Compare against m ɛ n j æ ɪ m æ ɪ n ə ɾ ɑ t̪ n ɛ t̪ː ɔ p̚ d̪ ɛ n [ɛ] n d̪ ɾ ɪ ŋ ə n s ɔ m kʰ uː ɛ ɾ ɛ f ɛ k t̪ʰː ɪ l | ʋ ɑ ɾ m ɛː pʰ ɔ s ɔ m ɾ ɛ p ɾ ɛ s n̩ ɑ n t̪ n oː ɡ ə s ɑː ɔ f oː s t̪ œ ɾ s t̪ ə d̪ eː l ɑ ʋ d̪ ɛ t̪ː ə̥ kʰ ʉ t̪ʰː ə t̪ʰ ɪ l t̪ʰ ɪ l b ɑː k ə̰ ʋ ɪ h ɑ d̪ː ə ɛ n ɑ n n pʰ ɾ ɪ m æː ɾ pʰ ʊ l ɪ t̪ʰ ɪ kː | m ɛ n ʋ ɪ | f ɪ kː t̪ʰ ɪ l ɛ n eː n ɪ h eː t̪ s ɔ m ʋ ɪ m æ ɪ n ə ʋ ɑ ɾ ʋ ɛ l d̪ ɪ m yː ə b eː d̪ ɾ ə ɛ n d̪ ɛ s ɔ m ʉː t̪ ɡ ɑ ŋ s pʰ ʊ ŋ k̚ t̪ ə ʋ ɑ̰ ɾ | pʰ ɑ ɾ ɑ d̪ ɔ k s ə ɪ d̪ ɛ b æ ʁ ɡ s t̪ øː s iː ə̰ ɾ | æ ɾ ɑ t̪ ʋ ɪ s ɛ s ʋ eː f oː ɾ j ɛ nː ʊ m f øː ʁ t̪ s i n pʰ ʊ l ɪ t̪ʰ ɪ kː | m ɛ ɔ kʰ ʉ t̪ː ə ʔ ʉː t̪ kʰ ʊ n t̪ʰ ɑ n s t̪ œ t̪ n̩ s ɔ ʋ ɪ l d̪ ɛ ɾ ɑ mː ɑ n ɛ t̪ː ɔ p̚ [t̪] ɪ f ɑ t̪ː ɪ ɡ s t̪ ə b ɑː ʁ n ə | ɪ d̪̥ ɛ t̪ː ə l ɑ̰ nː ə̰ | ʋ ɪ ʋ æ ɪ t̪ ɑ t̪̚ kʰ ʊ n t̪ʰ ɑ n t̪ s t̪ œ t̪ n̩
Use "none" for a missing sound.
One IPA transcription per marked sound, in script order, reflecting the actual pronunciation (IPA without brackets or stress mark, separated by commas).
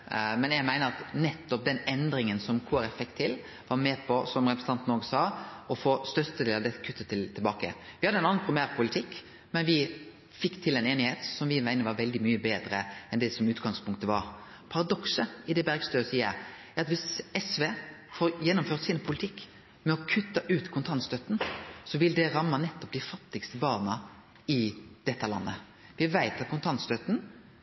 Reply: ɛ, d̪